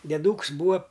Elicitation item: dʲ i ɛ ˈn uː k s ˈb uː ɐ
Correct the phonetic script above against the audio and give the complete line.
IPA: dʲ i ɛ ˈd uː k s ˈb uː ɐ